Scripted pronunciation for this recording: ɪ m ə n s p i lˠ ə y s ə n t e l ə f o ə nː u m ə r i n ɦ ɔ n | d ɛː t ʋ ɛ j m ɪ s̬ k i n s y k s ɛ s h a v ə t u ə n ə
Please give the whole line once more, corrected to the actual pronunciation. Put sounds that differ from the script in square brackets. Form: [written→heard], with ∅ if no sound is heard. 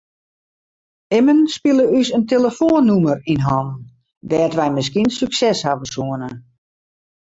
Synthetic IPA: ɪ m ə n s p i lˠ ə y s ə n t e l ə f o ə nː u m ə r i n ɦ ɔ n | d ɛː t ʋ ɛ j m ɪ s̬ k i n s y k s ɛ s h a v ə [t→s] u ə n ə